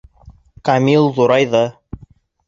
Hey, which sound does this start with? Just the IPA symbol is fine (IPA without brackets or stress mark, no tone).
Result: k